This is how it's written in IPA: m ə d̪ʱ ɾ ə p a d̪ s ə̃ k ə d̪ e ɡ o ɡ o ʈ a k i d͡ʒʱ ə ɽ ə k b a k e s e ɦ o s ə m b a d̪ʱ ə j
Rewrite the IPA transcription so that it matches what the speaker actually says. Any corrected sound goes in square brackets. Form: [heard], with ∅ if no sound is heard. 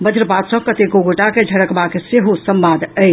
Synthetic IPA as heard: [b] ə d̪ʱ ɾ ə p a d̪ s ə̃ k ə [t̪] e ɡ o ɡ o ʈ a k [e] d͡ʒʱ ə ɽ ə k b a k e s e ɦ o s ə m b a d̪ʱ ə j